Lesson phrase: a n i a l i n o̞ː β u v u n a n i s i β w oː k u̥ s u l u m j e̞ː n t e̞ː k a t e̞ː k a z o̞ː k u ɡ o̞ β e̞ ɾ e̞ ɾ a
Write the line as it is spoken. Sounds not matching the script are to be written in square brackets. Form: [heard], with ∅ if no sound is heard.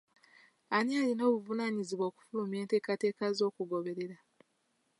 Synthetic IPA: a n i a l i n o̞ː β u v u n a [ɲ] i [z] i β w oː k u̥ [f] u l u m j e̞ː n t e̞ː k a t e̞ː k a z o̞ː k u ɡ o̞ β e̞ ɾ e̞ ɾ a